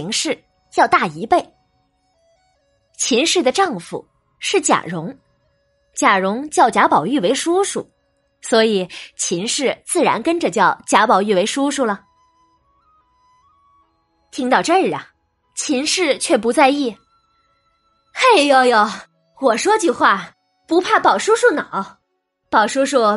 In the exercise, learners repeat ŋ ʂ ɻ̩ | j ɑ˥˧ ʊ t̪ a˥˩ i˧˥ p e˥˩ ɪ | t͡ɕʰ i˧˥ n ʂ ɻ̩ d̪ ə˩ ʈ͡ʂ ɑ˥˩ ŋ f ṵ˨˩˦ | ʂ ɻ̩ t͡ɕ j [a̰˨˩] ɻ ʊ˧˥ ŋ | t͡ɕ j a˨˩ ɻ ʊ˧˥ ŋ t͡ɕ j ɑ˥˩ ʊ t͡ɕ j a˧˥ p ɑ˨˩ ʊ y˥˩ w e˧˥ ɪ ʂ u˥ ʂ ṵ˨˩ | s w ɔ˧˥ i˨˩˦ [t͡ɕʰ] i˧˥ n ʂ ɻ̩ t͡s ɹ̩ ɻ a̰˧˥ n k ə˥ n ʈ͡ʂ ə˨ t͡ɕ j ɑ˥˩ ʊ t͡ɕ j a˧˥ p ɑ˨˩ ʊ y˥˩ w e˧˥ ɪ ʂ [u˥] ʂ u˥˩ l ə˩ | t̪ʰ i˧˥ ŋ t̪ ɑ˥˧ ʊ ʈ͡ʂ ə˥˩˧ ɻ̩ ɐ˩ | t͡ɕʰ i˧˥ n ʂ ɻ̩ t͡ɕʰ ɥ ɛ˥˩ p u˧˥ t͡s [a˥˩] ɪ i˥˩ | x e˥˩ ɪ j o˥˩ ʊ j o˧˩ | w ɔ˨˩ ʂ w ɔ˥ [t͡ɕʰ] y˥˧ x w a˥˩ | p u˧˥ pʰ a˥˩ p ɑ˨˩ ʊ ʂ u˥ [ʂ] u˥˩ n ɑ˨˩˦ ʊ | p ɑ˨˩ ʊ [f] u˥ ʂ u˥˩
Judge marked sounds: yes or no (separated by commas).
yes, yes, yes, no, no, yes, no